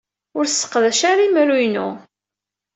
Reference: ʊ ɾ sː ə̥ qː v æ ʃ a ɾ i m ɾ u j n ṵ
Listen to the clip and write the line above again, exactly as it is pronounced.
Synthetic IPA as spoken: ʊ ɾ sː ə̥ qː ð æ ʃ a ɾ i m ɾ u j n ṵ